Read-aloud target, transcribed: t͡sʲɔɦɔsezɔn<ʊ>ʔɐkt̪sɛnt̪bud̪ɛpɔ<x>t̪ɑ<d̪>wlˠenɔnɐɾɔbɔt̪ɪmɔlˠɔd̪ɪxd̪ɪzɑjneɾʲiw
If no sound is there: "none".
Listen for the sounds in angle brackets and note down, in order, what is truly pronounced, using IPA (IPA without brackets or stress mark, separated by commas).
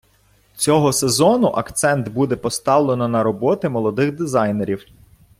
ʊ, s, none